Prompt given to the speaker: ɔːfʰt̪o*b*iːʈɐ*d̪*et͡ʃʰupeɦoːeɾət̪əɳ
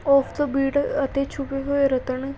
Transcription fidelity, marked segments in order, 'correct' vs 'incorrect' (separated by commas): correct, incorrect